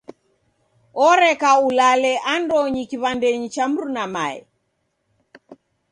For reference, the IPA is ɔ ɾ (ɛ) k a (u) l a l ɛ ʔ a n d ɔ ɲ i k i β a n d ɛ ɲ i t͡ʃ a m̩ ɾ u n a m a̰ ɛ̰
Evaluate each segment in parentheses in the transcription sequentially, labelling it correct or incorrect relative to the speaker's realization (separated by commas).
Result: correct, correct